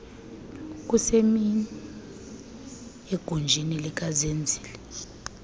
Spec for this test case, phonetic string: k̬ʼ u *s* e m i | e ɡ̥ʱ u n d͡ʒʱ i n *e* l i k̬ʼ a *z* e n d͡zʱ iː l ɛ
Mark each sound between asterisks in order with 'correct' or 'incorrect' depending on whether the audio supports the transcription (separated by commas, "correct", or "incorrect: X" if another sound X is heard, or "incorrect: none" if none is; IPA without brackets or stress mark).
correct, incorrect: i, correct